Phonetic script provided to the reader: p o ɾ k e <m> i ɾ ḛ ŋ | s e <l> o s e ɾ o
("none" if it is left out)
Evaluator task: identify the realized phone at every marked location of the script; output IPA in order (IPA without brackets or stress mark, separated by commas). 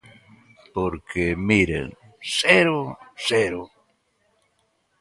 m, ɾ